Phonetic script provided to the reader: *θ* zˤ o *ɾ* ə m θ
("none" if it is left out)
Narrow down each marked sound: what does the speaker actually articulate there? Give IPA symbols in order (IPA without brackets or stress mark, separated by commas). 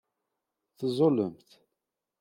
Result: θ, l